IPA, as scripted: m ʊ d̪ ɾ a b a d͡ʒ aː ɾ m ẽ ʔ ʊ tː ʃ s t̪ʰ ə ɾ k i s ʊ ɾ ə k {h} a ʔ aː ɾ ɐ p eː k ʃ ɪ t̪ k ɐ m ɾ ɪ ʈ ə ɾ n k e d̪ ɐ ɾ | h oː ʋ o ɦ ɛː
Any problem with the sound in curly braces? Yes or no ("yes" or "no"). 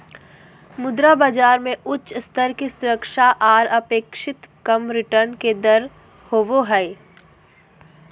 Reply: yes